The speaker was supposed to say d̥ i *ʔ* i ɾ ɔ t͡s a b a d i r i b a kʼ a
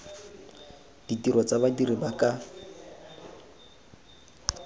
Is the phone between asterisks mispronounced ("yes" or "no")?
yes